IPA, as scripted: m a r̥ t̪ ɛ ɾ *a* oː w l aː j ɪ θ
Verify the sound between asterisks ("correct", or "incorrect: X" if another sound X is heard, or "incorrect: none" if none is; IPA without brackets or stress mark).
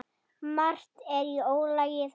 incorrect: i